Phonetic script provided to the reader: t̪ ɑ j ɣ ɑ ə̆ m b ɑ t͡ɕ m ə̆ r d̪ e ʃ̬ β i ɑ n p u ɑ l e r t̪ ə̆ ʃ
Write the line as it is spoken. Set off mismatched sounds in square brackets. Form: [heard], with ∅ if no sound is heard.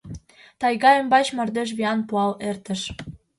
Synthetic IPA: t̪ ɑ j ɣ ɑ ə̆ m b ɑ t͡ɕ m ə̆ r d̪ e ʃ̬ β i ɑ n p u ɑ l e r t̪ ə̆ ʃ